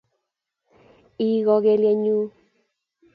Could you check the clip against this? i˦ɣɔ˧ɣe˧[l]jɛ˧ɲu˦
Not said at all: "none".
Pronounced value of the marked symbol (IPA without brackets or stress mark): l